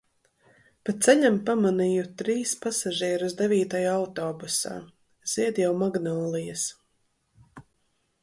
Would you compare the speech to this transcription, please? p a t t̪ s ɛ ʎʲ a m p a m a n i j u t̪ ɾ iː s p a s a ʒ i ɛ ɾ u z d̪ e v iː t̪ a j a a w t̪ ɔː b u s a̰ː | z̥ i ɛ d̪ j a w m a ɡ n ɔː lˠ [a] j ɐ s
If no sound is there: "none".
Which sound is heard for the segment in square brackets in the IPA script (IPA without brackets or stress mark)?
i